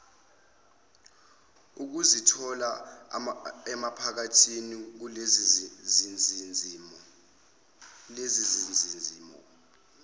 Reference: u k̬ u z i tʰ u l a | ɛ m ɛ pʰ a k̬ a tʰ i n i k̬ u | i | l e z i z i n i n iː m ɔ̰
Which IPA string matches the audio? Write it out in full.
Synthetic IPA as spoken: u k̬ u z i tʰ ɔ l a | ɛ m a pʰ a k̬ a tʰ i n i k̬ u | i | l e z i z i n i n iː m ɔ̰